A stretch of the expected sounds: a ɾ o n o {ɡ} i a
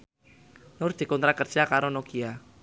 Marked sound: incorrect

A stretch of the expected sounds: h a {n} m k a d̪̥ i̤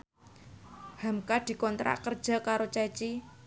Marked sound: incorrect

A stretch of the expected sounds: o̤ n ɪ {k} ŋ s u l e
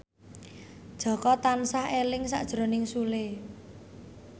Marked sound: incorrect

